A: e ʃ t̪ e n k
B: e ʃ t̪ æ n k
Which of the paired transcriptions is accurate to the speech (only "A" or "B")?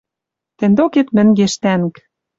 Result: B